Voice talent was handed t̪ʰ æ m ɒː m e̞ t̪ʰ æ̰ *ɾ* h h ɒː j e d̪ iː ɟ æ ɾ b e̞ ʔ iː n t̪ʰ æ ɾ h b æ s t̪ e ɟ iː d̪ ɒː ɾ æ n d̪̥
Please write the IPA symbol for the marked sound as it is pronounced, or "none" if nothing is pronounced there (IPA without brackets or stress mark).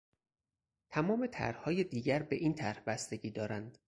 ɾ